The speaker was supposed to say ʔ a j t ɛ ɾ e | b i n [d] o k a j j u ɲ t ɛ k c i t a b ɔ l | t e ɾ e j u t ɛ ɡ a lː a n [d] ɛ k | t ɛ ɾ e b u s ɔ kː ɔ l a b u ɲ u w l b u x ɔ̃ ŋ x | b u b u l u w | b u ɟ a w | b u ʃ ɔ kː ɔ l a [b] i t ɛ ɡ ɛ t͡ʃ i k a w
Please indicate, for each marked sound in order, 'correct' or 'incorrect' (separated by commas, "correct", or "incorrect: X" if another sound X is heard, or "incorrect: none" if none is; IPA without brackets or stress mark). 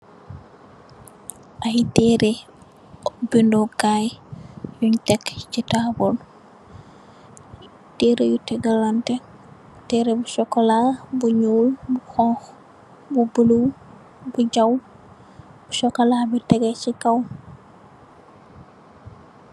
correct, incorrect: t, correct